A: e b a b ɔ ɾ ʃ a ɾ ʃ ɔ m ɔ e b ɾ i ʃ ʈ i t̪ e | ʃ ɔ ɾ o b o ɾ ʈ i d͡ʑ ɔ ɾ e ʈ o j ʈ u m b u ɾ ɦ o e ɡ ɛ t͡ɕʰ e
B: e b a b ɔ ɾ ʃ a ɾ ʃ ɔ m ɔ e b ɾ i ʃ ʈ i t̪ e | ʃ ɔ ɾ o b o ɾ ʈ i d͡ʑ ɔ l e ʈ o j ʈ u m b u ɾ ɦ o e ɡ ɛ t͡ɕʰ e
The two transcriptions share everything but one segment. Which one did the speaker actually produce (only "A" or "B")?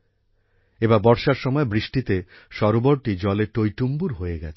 B